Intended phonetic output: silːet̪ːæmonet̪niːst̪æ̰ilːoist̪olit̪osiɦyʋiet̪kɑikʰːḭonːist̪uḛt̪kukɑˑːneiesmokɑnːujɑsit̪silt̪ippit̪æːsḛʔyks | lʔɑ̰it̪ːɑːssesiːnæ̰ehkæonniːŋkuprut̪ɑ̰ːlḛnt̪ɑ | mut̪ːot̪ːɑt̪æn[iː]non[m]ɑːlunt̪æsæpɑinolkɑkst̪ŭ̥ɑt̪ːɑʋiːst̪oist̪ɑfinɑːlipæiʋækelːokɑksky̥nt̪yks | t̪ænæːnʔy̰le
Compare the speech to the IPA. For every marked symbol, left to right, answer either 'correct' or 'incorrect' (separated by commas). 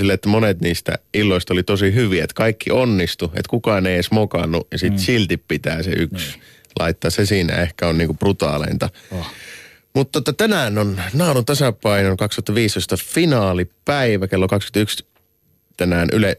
incorrect, incorrect